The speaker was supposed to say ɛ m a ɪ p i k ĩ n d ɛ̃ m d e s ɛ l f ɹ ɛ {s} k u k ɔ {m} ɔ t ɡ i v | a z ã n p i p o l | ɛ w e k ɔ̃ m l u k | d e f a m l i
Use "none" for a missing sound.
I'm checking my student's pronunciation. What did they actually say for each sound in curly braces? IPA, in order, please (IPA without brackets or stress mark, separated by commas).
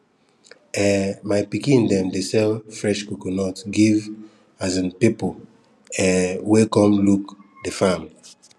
ʃ, n